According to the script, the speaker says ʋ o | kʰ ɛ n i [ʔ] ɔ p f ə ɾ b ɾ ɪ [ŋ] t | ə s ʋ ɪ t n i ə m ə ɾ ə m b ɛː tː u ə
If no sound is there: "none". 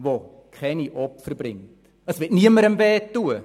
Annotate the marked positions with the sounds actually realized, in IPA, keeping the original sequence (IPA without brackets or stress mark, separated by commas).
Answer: ʔ, ŋ